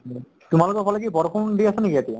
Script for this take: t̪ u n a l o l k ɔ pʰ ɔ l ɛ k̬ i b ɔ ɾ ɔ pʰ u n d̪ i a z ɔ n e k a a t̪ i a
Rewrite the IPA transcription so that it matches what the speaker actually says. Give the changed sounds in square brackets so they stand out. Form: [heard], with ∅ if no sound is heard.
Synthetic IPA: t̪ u [m] a l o [∅] k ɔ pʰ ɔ l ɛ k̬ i b ɔ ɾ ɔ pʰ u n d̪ i a [s] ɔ n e k [i] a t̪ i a